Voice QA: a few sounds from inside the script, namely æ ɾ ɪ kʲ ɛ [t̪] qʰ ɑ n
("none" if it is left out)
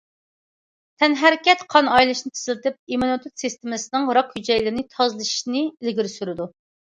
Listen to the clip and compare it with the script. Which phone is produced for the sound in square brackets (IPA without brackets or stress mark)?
t̪